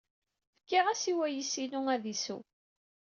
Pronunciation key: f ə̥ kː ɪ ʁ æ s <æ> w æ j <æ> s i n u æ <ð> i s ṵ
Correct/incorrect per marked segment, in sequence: incorrect, incorrect, correct

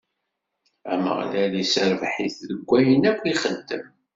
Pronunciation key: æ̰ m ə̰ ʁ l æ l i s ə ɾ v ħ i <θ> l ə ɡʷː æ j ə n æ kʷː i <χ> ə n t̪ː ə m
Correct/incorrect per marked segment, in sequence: correct, correct

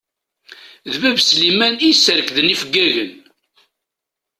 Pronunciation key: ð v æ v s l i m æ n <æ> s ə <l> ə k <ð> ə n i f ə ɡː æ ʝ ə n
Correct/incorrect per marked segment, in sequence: incorrect, incorrect, correct

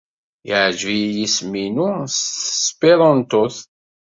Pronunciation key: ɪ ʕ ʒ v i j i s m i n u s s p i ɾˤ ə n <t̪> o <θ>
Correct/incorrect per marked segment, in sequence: correct, correct

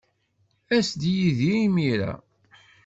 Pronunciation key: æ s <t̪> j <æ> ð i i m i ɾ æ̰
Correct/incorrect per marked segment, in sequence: incorrect, incorrect

